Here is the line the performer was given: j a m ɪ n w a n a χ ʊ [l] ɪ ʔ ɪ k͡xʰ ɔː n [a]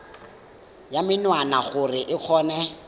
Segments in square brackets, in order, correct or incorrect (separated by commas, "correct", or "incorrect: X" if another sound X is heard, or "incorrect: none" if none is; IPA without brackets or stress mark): incorrect: r, incorrect: ɛ